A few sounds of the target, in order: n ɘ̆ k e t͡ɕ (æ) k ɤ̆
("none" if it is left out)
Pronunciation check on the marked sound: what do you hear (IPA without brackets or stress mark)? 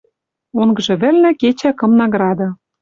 æ